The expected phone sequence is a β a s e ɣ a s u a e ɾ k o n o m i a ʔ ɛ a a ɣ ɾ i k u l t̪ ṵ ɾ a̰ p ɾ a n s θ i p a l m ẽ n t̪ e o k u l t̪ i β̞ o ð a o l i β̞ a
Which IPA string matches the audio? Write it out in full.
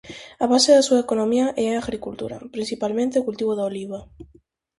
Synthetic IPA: a β a s e ð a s u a e k o n o m i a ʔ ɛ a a ɣ ɾ i k u l t̪ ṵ ɾ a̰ p ɾ i n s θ i p a l m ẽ n t̪ e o k u l t̪ i β̞ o ð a o l i β̞ a